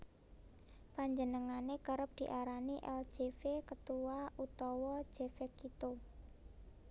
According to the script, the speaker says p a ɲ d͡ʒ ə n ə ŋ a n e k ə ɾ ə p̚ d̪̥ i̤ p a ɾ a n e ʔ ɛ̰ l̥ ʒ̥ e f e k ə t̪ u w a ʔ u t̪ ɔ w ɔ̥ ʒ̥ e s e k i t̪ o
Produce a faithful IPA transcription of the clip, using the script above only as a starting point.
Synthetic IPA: p a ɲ d͡ʒ ə n ə ŋ a n e k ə ɾ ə p̚ d̪̥ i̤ ʔ a ɾ a n i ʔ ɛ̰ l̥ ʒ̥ e f e k ə t̪ u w a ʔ u t̪ ɔ w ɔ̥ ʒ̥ e f e k i t̪ o